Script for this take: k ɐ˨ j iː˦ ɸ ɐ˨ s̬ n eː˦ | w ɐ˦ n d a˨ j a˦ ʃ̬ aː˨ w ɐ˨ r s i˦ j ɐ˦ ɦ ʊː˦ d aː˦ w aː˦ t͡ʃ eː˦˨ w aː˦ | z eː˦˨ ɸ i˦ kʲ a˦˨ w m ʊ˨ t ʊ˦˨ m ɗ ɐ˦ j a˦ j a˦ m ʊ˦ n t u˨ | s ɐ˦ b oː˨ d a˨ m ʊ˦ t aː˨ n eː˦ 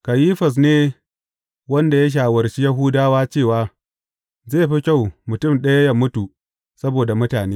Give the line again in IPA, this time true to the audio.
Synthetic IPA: k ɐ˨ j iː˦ ɸ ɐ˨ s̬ n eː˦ | w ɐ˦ n d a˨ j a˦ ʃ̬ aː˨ w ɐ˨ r ʃ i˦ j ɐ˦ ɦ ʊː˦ d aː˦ w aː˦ t͡ʃ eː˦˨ w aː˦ | z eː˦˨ ɸ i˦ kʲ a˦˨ w m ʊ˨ t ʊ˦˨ m ɗ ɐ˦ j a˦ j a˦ m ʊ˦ t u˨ | s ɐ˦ b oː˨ d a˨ m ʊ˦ t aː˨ n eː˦